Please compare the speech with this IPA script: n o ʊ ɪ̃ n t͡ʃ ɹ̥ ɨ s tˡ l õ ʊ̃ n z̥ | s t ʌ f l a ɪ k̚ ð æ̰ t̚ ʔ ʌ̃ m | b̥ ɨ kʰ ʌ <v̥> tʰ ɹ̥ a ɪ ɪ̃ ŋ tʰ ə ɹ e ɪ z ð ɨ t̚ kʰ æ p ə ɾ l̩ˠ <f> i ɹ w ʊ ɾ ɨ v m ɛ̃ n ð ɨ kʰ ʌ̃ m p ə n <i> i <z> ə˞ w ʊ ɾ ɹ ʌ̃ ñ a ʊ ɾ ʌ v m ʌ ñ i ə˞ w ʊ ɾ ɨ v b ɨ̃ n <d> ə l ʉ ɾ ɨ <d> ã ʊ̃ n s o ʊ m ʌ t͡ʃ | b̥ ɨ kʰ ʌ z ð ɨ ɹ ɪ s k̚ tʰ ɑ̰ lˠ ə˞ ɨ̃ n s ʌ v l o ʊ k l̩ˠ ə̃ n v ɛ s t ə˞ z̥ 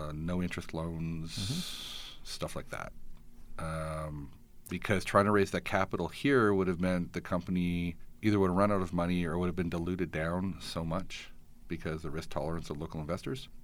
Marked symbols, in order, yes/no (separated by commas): no, no, yes, no, yes, yes